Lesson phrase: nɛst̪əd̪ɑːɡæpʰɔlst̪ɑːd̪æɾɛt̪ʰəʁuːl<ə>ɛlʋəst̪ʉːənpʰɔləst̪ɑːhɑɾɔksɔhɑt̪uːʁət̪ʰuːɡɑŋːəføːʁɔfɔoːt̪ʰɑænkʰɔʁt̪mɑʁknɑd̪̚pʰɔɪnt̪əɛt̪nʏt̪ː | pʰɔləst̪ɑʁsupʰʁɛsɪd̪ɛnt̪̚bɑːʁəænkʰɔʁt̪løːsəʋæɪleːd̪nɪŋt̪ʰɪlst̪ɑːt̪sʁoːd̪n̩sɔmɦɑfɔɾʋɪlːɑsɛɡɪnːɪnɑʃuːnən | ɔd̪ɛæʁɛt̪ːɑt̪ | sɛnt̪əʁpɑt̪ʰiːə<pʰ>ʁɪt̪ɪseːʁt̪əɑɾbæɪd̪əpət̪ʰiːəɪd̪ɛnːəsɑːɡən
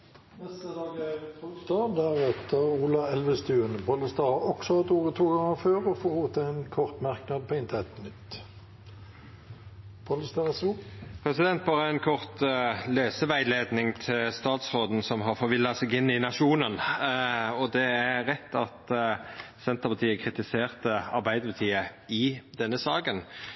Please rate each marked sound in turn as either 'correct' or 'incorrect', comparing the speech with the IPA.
incorrect, incorrect

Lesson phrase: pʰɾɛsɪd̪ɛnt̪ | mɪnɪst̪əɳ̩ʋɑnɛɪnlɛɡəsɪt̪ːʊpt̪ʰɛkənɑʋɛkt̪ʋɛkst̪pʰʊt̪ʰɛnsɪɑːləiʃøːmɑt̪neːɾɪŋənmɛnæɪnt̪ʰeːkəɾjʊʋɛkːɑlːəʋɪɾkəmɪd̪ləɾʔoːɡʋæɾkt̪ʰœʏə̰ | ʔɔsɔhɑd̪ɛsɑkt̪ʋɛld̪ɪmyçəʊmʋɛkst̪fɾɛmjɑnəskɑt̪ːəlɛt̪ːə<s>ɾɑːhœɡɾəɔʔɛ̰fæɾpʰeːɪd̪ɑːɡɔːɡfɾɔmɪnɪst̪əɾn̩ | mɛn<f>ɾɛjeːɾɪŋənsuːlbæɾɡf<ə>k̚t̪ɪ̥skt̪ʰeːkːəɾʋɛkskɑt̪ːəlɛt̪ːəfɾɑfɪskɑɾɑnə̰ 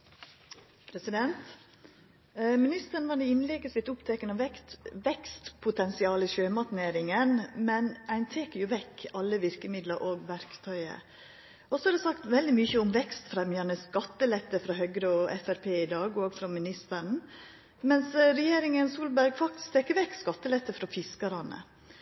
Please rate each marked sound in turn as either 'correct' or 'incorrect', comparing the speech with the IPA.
incorrect, incorrect, incorrect

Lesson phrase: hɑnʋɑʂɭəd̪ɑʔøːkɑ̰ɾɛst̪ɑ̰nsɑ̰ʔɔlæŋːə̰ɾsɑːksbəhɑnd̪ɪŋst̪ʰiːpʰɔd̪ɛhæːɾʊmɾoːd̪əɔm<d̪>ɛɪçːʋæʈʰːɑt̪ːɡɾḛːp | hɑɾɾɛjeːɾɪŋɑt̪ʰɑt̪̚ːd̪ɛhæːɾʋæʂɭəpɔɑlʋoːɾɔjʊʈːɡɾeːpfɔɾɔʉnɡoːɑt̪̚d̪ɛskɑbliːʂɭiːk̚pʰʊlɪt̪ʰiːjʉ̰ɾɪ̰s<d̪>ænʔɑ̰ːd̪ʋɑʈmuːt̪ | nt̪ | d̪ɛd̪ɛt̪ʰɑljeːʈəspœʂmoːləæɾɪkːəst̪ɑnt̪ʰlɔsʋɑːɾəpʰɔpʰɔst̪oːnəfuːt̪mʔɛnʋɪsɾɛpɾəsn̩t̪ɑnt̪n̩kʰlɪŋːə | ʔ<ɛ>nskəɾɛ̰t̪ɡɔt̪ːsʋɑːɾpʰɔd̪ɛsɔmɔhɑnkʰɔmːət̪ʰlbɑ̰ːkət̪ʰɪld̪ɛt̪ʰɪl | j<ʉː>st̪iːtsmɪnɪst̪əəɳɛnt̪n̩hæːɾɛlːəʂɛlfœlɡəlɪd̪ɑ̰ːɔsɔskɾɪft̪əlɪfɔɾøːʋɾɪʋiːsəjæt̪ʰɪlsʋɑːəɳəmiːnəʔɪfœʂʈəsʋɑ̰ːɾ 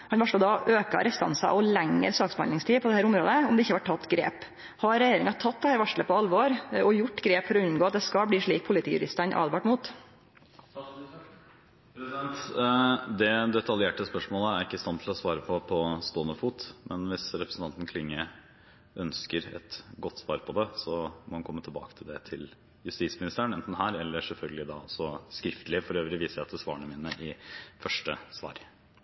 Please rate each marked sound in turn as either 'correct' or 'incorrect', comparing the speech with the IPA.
correct, incorrect, incorrect, incorrect

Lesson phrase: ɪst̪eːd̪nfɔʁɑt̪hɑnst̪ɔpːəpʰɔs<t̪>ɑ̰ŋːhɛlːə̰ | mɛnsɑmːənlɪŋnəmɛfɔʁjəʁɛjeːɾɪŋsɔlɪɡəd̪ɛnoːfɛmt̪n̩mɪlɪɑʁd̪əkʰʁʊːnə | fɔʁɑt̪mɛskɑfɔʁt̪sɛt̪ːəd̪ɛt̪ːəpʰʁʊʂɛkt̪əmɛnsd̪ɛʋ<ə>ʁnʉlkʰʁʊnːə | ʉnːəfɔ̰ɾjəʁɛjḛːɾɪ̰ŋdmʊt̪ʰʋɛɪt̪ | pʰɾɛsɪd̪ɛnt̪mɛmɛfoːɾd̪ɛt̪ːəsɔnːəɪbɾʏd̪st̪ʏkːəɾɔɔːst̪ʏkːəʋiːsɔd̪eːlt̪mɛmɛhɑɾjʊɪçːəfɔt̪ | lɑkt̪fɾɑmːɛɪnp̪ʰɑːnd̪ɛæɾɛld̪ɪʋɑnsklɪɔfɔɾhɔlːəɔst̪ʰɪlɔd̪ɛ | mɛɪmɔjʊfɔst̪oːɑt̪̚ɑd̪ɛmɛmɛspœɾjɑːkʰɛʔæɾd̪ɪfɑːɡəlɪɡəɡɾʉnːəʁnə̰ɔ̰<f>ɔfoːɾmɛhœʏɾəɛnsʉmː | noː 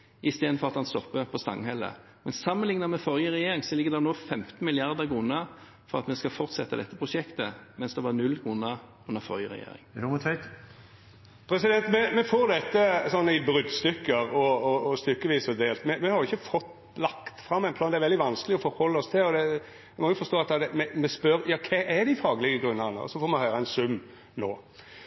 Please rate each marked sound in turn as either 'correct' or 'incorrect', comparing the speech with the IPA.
correct, incorrect, incorrect

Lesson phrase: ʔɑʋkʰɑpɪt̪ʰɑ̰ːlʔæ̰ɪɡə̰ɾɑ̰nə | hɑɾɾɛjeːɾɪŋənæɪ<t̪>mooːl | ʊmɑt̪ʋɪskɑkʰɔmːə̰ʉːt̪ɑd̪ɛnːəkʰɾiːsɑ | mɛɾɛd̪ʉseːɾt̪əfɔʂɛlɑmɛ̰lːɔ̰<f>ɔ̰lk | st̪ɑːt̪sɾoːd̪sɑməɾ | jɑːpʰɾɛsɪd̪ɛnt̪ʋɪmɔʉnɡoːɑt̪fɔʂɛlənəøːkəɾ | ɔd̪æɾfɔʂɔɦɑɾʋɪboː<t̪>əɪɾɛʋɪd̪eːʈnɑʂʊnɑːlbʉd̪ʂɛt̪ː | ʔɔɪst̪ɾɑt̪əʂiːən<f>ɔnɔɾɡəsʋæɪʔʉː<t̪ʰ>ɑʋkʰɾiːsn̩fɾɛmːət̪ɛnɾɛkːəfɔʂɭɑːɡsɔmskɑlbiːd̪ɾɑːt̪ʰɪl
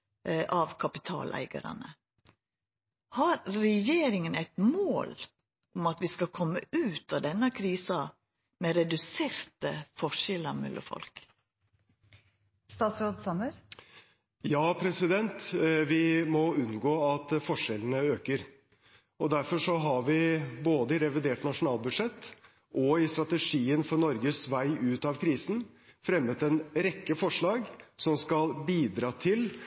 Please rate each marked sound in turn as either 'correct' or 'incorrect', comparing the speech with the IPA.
correct, correct, incorrect, correct, incorrect

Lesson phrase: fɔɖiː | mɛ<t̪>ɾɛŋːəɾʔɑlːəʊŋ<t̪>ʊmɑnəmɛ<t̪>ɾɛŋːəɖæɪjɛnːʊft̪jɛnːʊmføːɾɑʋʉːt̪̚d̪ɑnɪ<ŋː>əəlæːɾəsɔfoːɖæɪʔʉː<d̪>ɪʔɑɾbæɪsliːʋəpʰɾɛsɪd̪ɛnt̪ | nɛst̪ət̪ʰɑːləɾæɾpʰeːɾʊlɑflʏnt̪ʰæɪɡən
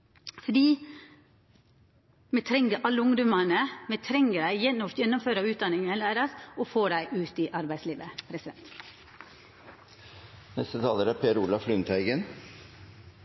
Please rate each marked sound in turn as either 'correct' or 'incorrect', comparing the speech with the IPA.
incorrect, incorrect, incorrect, incorrect, incorrect

